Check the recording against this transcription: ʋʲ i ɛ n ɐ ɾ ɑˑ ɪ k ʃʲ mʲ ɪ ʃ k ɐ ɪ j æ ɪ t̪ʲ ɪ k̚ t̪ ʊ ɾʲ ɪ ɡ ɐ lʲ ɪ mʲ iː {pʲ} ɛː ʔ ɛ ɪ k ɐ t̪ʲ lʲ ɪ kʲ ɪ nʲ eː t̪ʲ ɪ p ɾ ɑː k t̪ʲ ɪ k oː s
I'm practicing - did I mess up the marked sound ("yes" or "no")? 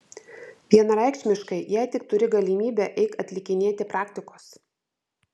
yes